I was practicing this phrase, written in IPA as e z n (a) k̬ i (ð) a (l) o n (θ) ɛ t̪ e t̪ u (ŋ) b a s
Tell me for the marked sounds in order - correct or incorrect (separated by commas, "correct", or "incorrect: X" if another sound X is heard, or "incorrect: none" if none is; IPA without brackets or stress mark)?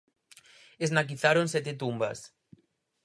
correct, incorrect: θ, incorrect: ɾ, incorrect: s, incorrect: m